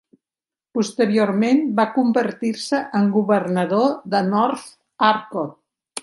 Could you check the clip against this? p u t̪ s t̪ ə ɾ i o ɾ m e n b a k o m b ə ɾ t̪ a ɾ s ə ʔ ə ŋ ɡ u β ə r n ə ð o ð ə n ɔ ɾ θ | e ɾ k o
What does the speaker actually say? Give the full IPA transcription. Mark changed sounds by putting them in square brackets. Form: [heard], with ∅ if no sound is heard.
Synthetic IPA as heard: p u [∅] s t̪ ə ɾ i o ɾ m e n b a k [u] m b ə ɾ t̪ [i] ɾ s ə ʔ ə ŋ ɡ u β ə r n ə ð o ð ə n ɔ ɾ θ | [a] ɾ k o